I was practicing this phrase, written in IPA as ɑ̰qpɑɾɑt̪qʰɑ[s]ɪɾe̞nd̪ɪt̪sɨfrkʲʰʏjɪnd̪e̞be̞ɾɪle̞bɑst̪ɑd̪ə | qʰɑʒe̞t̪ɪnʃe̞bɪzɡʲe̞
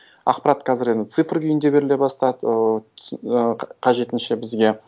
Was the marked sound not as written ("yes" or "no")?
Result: yes